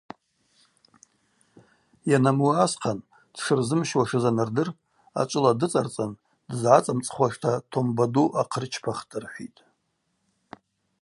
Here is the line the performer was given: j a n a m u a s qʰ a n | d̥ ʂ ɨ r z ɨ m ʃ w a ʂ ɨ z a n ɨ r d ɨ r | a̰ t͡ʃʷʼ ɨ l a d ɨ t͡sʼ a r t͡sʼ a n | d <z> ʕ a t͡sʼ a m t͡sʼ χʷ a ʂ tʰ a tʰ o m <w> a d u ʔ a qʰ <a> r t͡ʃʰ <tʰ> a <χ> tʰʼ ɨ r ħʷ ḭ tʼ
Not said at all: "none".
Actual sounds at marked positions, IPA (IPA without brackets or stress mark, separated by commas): z, b, ə, pʰ, χ